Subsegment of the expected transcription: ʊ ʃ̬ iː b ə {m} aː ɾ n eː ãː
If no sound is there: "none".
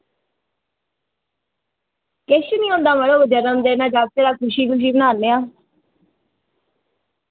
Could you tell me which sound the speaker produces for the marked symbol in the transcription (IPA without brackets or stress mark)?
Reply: n